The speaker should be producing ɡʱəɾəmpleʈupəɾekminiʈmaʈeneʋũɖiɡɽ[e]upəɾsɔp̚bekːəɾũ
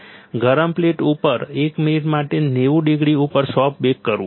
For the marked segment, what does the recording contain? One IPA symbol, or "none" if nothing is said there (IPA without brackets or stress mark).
i